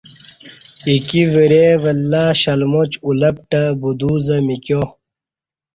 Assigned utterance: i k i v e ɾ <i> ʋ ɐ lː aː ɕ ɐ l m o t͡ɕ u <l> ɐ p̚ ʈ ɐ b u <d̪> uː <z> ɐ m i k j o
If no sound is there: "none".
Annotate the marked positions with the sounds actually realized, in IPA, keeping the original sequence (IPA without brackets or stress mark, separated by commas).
e, l, d̪, z